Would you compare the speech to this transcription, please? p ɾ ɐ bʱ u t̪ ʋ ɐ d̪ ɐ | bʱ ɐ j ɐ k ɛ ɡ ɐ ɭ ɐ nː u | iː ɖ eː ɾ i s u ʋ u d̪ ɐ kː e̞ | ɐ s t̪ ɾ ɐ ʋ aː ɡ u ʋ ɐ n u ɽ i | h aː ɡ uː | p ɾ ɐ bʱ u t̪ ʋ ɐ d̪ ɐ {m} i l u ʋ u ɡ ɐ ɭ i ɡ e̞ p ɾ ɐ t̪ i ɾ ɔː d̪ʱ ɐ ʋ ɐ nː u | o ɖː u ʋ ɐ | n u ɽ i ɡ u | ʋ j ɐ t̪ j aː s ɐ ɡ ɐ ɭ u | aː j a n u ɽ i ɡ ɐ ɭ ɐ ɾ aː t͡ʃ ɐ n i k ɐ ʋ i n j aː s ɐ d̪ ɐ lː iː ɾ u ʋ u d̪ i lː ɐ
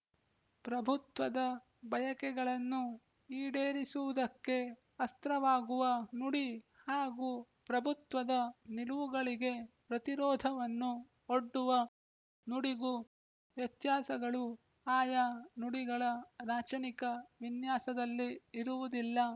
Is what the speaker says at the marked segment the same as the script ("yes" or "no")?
no